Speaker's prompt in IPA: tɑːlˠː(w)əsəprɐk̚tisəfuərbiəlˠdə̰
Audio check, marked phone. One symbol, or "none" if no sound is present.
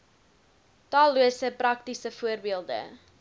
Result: u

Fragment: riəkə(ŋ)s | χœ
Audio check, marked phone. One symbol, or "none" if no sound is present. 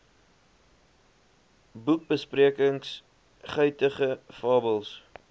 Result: ŋ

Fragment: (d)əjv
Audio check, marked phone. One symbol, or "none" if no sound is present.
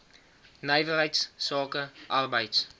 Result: n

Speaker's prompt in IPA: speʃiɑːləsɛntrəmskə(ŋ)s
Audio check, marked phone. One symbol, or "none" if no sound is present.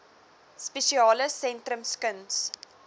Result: n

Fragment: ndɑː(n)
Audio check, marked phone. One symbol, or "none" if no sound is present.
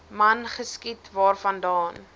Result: n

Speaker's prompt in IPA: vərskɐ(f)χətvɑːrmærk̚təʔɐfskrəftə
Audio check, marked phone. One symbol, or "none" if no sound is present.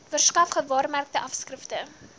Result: f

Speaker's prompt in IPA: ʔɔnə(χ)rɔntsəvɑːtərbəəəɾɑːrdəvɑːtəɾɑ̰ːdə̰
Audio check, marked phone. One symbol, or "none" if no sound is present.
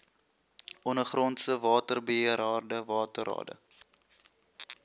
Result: χ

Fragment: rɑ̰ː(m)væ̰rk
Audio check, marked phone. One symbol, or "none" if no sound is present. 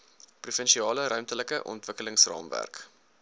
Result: m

